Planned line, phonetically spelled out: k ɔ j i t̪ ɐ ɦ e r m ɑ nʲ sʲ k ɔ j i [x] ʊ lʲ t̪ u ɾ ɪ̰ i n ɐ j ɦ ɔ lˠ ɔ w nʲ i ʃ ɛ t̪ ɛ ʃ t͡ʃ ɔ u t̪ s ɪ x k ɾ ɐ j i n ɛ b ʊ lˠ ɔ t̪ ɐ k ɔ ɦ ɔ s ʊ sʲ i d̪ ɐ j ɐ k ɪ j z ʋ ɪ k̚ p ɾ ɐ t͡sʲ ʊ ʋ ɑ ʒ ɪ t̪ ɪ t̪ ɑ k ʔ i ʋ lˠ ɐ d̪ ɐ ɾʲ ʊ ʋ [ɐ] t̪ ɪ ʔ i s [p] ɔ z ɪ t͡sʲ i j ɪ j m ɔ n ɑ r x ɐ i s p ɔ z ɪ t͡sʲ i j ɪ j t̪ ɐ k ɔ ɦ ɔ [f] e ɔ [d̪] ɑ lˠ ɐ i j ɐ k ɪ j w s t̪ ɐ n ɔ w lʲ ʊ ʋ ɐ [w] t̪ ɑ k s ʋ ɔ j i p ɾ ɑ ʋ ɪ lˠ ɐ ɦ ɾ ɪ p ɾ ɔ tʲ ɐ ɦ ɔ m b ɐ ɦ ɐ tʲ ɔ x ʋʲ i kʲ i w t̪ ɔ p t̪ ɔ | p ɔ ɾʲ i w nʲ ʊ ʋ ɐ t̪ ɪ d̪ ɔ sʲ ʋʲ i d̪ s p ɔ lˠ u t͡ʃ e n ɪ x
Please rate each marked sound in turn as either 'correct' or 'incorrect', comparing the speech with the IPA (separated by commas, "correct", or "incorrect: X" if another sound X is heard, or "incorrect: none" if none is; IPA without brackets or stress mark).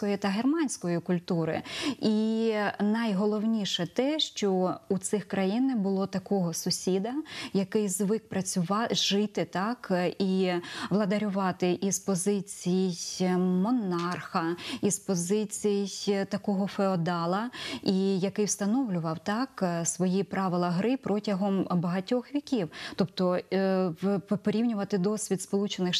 incorrect: k, incorrect: ɑ, correct, correct, correct, correct